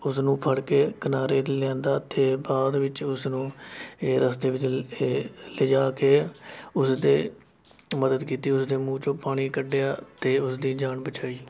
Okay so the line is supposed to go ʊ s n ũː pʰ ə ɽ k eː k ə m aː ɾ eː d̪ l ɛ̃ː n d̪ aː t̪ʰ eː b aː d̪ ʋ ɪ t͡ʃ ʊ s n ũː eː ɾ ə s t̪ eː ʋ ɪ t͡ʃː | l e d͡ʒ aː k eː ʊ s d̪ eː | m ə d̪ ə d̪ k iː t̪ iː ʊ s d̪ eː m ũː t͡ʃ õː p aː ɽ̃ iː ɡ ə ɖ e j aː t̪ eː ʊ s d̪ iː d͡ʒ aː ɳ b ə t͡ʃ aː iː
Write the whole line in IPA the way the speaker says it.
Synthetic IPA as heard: ʊ s n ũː pʰ ə ɽ k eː k ə n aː ɾ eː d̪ l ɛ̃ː n d̪ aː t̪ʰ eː b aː d̪ ʋ ɪ t͡ʃ ʊ s n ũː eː ɾ ə s t̪ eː ʋ ɪ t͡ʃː | l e d͡ʒ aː k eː ʊ s d̪ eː | m ə d̪ ə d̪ k iː t̪ iː ʊ s d̪ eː m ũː t͡ʃ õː p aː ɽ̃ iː k ə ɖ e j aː t̪ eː ʊ s d̪ iː d͡ʒ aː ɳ b ə t͡ʃ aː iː